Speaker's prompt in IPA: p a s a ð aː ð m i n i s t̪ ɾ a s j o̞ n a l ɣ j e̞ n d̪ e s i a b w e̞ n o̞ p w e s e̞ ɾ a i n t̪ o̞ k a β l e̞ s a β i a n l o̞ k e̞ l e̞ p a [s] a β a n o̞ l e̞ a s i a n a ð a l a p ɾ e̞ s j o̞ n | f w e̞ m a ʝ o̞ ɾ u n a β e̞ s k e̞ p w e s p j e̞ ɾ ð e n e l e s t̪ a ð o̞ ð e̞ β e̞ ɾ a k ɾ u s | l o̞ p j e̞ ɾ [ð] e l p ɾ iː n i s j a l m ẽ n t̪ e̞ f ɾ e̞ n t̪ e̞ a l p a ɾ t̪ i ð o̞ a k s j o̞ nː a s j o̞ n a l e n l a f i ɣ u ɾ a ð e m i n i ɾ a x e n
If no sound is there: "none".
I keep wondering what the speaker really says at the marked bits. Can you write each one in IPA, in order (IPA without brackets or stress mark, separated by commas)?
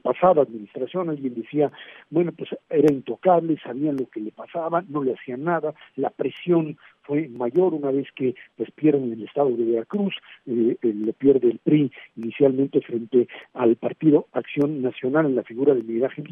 s, ð